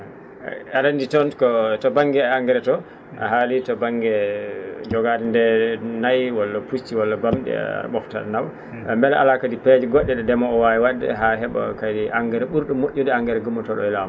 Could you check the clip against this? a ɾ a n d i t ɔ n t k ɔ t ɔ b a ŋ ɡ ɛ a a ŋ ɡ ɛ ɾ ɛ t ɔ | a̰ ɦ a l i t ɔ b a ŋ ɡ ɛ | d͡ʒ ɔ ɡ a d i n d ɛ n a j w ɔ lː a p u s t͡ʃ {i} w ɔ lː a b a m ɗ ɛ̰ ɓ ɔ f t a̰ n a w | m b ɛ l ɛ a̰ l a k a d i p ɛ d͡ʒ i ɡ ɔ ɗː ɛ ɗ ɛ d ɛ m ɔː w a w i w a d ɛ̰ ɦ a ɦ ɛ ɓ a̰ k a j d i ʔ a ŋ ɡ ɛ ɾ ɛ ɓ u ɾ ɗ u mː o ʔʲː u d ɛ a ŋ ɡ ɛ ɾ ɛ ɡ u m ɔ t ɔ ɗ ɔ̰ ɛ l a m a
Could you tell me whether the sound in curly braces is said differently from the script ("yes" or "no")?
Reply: no